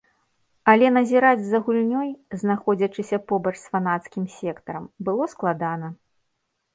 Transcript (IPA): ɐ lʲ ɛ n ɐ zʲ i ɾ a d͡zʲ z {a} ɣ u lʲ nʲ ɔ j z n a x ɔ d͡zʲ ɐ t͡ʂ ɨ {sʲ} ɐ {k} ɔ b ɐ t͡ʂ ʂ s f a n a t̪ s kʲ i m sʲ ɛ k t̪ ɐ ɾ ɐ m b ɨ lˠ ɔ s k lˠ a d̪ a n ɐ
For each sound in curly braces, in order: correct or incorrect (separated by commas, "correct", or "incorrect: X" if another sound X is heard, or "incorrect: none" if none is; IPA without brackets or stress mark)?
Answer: incorrect: ɐ, correct, incorrect: p